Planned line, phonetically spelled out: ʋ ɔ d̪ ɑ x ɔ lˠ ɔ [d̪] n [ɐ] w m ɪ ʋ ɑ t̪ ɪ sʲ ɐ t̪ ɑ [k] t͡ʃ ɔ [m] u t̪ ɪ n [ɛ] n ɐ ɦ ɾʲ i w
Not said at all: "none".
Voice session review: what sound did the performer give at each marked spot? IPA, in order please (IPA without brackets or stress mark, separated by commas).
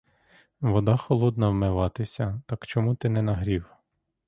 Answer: d̪, ɐ, k, m, ɛ